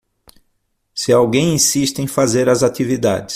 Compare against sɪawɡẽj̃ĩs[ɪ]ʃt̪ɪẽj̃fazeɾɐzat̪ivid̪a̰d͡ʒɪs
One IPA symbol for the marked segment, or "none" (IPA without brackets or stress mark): i